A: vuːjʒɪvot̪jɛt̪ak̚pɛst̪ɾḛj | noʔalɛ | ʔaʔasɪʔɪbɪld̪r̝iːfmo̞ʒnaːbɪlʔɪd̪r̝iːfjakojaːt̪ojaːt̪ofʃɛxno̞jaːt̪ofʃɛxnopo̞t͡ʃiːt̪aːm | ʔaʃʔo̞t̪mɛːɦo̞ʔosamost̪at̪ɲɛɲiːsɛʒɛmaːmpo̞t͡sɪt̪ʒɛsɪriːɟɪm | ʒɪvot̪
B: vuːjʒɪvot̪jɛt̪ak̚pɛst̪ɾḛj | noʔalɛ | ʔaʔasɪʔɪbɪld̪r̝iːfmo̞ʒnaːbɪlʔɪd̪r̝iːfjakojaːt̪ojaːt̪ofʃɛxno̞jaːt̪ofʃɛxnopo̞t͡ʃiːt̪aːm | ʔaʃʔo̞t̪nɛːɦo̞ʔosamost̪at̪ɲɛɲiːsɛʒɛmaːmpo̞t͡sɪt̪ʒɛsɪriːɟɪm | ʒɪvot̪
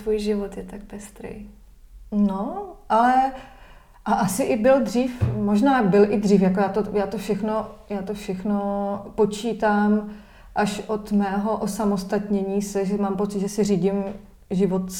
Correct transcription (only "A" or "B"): A